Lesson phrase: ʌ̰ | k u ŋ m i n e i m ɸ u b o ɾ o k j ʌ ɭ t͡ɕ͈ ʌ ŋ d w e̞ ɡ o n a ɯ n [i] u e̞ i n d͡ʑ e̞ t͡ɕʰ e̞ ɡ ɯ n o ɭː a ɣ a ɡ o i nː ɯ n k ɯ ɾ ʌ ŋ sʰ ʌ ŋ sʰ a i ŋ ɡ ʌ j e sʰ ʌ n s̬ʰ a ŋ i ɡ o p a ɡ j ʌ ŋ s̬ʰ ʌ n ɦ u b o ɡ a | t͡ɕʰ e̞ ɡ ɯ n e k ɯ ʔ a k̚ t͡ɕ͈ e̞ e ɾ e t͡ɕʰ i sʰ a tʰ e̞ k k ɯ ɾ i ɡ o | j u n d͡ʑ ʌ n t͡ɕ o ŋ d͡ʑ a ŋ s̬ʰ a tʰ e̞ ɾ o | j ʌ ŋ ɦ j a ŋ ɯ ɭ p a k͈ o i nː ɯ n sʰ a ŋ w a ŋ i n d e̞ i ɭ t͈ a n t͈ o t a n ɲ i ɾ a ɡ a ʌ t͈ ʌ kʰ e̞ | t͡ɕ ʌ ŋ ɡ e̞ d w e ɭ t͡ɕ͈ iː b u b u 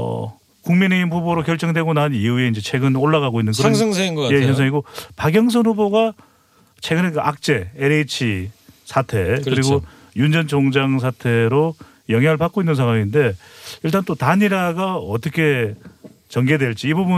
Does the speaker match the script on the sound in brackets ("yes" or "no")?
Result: yes